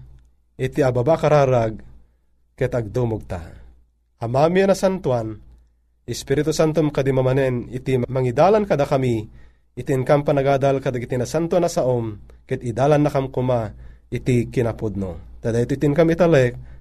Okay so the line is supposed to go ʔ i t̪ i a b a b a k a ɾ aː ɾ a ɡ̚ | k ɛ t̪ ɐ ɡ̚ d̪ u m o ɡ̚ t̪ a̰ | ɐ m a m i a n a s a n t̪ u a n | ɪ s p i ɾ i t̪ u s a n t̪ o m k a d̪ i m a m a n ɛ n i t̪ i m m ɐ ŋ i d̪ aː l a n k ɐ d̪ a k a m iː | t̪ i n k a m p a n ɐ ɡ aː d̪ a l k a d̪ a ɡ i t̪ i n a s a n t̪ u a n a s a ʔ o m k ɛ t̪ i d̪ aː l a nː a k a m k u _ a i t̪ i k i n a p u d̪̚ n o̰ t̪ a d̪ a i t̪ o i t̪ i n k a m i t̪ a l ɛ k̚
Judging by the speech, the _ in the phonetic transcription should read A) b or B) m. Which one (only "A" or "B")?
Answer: B